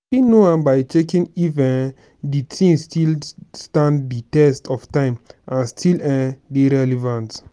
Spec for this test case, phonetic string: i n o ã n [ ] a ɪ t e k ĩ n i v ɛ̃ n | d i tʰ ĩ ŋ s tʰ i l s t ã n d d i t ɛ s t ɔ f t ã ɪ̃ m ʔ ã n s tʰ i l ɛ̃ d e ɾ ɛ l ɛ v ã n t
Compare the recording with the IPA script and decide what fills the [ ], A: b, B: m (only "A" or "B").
A